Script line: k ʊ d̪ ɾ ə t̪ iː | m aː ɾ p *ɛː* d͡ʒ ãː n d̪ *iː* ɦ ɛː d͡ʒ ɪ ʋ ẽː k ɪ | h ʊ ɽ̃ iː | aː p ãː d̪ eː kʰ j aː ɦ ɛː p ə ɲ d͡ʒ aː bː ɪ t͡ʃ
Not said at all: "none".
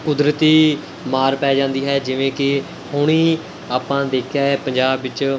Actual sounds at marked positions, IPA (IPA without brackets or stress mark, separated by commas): ɛː, iː